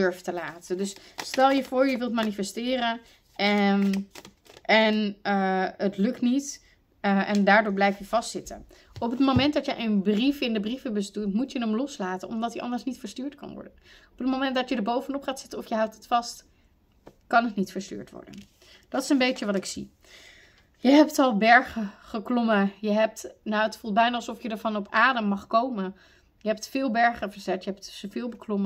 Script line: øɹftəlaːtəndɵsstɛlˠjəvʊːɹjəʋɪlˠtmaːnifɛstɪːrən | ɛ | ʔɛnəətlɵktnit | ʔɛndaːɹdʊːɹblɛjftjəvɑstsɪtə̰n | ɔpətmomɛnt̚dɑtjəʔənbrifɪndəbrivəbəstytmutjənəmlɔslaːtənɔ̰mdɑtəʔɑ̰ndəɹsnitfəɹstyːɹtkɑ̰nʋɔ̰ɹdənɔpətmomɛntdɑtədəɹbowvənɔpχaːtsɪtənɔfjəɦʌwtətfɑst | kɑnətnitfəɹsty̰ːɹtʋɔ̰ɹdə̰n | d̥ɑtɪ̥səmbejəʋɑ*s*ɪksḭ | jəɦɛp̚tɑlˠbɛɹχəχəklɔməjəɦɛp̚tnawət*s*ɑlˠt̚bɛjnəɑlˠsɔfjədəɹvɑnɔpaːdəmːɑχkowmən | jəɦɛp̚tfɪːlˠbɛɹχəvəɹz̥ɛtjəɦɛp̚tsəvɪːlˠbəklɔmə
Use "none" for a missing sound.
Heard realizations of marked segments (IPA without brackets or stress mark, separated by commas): t, f